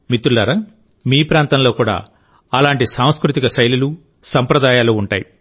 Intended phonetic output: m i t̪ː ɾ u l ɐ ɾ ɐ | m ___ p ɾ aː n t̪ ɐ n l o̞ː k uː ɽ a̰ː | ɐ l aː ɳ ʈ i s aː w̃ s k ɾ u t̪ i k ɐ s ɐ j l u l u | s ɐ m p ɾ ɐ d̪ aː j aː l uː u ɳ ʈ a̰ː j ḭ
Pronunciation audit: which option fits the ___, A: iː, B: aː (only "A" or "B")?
A